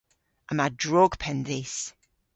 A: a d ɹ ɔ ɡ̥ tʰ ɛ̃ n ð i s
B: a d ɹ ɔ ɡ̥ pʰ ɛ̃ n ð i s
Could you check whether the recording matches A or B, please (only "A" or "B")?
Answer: B